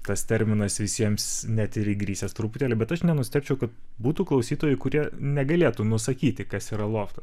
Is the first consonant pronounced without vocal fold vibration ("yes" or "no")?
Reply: yes